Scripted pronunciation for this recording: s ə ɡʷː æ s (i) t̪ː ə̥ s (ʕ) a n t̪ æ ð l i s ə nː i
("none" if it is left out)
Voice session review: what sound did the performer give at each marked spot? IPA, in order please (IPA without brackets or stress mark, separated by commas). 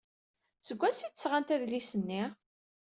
i, ʁ